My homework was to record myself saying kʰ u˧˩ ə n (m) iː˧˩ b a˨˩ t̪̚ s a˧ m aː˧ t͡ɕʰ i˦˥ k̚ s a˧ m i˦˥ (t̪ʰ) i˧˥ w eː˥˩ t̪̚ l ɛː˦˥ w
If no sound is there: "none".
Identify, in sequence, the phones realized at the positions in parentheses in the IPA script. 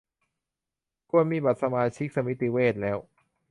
m, t̪

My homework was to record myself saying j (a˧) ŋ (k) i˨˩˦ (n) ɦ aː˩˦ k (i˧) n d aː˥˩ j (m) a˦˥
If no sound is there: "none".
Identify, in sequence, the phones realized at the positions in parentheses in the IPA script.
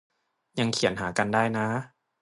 a˧, kʰ, n, a˧, n

